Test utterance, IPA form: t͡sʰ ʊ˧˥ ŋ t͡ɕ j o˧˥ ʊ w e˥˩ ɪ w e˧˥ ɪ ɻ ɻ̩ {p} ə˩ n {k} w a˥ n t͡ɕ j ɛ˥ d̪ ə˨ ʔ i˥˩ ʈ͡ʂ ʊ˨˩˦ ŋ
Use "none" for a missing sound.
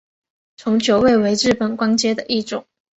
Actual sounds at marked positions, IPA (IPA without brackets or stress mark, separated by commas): p, k